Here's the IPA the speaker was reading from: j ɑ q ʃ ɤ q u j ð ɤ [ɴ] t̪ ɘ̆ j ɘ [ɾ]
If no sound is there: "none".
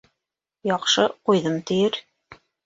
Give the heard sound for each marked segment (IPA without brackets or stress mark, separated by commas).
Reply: m, ɾ